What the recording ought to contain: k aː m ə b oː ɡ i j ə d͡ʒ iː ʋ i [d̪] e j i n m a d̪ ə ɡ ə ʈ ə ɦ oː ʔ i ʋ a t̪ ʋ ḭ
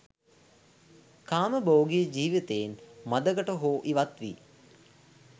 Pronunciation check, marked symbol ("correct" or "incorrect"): incorrect